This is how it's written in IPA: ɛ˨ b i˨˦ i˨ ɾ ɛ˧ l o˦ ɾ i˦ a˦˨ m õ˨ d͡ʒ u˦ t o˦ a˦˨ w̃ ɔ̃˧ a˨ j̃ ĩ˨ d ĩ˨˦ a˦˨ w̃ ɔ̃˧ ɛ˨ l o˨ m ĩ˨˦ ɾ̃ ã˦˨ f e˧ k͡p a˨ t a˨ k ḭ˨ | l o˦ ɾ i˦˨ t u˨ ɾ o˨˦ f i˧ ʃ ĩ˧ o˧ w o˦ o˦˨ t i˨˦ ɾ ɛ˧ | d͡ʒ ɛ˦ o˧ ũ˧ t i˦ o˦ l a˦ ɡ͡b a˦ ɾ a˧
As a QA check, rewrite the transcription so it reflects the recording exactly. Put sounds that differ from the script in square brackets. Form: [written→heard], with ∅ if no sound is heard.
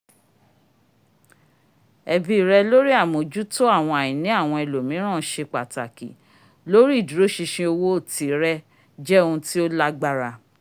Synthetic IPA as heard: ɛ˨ b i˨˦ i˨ ɾ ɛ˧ l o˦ ɾ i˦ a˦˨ m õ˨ d͡ʒ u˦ t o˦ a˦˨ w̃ ɔ̃˧ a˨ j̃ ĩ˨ [d→n] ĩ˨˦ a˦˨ w̃ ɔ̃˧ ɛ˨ l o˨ m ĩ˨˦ ɾ̃ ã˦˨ [f→ʃ] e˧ k͡p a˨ t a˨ k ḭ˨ | l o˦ ɾ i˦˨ [t→d] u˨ ɾ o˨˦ [f→ʃ] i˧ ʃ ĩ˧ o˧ w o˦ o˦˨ t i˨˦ ɾ ɛ˧ | d͡ʒ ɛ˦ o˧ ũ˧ t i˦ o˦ l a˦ ɡ͡b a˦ ɾ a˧